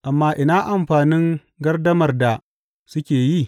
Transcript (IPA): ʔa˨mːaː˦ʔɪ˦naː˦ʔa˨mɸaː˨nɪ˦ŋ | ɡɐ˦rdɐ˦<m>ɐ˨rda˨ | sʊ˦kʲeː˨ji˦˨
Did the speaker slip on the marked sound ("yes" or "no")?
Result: no